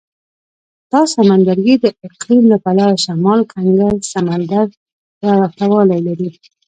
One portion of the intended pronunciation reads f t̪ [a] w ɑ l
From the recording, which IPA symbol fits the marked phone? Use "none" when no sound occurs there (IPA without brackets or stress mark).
a